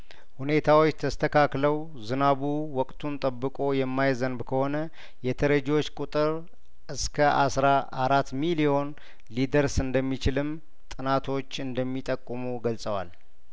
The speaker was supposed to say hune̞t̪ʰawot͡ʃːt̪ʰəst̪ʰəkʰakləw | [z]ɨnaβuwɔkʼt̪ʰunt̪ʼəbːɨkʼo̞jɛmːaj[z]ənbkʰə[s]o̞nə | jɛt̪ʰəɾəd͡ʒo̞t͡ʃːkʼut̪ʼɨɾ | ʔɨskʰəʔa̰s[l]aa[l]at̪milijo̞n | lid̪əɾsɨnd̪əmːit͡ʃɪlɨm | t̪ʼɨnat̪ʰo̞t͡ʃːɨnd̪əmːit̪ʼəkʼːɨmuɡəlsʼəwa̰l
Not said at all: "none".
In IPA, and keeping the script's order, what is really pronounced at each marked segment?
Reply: z, z, h, ɾ, ɾ

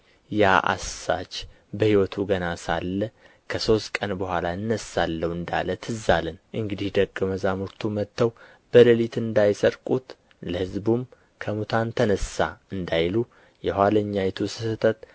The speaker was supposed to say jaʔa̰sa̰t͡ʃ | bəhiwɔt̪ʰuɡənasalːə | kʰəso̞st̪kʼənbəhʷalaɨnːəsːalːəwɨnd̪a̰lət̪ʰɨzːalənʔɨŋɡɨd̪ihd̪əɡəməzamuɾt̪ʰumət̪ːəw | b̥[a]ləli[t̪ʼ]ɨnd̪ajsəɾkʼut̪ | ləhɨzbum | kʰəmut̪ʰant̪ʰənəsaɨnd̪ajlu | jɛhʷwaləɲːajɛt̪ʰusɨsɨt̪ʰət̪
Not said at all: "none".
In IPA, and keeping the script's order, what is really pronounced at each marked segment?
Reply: ə, t̪

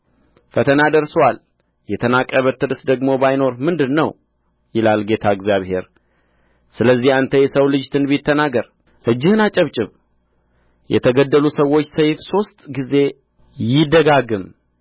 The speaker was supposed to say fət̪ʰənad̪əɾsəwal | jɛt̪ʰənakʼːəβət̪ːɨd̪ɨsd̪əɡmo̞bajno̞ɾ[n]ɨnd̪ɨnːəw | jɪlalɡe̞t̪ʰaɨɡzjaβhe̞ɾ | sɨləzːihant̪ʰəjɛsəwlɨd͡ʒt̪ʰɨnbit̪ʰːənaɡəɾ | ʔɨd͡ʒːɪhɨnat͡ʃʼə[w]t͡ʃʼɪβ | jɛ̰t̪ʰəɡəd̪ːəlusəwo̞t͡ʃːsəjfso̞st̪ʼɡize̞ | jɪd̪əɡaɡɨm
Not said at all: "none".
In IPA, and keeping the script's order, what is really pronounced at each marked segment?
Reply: m, β

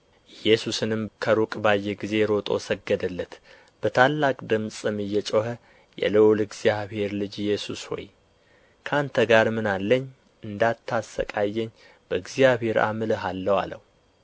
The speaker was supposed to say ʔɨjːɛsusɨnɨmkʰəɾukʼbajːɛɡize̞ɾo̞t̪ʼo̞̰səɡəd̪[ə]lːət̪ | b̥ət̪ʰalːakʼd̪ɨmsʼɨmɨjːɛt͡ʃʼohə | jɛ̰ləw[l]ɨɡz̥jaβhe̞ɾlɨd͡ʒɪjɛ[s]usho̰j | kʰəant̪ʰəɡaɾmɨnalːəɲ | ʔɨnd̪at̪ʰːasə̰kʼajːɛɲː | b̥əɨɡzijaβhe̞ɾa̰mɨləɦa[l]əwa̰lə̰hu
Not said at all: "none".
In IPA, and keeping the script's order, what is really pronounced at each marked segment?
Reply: ə, l, s, lː

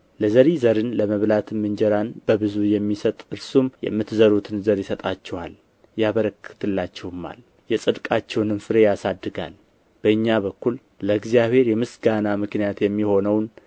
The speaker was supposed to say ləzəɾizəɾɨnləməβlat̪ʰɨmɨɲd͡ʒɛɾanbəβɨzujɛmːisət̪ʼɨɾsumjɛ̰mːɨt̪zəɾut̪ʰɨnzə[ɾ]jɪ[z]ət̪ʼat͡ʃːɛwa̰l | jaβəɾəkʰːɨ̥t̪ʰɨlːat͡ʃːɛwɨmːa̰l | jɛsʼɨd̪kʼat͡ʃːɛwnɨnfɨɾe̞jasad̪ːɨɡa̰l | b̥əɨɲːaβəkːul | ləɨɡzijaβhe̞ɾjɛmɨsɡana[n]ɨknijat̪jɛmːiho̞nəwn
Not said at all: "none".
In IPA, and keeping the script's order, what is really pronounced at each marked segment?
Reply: ɾ, s, m

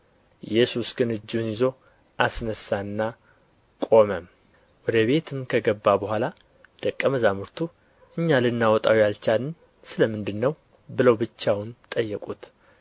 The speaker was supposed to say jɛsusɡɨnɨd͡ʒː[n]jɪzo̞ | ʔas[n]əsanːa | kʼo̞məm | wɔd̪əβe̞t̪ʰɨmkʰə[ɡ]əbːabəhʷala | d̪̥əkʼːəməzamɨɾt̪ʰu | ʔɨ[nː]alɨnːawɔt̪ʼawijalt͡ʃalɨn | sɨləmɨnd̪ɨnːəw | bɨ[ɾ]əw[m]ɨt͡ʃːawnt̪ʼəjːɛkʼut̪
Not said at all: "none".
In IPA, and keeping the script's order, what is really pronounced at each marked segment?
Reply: n, n, ɡ, ɲː, l, b

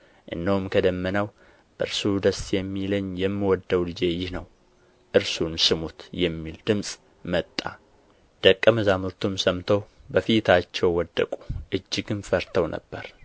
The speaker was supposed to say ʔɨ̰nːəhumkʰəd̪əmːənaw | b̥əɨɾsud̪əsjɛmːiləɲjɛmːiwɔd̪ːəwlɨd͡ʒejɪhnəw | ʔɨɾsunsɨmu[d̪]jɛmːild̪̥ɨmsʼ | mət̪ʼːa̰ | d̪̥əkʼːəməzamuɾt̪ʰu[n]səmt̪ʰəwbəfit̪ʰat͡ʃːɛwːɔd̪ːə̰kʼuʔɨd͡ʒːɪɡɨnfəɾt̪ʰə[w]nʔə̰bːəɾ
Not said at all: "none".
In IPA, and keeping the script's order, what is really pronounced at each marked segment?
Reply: t̪, m, w

